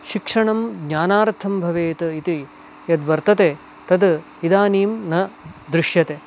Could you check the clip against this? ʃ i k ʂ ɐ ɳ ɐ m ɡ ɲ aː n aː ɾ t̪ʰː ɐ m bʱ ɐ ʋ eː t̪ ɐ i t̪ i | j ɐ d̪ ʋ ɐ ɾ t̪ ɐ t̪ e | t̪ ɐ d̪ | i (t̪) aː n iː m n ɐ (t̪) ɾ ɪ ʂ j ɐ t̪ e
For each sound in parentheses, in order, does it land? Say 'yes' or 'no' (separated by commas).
no, no